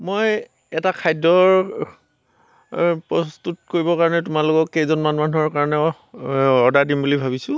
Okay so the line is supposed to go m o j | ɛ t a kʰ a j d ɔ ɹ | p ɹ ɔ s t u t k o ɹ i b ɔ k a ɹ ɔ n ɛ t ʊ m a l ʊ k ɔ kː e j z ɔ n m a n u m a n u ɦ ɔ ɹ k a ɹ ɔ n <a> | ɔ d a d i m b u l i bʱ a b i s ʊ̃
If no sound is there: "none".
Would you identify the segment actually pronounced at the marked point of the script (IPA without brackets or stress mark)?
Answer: ɛ